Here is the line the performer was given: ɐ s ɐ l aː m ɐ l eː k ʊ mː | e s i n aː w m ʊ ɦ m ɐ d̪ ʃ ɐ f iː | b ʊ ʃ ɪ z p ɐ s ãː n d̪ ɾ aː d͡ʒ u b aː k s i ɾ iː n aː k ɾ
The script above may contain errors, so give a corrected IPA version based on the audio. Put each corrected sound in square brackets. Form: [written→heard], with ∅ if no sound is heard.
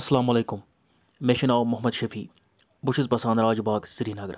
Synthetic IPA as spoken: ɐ s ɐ l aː m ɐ l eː k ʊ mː | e [s→ʃ] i n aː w m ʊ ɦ m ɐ d̪ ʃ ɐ f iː | b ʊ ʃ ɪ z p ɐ s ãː n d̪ ɾ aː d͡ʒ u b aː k s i ɾ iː n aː [k→ɡ] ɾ